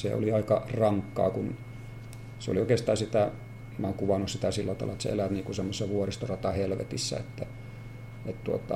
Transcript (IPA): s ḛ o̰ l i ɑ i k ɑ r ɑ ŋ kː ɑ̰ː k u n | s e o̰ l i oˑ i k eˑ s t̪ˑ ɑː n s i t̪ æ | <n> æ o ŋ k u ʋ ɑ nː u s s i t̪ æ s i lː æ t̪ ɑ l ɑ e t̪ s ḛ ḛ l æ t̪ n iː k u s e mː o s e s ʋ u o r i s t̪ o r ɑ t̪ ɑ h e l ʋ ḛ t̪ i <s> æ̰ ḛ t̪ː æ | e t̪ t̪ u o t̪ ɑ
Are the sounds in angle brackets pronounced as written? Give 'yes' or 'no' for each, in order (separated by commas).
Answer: no, no